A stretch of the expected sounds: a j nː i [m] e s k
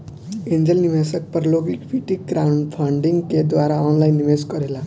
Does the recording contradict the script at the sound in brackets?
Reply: no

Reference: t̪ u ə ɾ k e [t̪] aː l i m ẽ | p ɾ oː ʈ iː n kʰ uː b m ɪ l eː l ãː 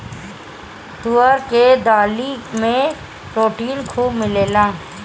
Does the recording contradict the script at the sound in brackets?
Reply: yes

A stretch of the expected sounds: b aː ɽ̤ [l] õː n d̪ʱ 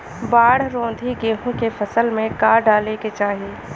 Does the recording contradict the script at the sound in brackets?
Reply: yes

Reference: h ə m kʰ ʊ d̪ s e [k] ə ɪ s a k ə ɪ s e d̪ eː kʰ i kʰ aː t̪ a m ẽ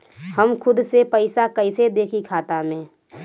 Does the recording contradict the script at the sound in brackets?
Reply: yes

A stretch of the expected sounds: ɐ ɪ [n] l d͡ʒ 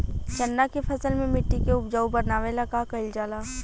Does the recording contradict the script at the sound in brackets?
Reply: yes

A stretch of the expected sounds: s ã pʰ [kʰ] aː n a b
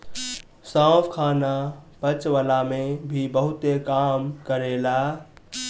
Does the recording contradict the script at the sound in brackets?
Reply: no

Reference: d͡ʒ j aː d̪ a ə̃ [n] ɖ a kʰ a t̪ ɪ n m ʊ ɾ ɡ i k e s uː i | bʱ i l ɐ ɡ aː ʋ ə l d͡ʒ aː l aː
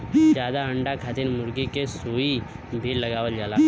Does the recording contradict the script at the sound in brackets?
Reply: yes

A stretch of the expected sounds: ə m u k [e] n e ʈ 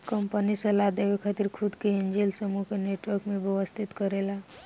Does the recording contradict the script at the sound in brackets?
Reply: no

